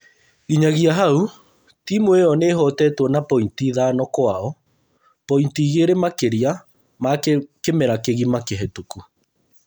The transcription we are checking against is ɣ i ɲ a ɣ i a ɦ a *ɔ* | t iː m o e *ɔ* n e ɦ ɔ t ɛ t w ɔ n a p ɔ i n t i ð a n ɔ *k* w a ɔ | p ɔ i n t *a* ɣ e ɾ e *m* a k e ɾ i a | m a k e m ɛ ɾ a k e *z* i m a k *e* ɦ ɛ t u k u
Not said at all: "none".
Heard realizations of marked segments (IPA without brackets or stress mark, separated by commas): u, ɔ, k, i, m, ɣ, e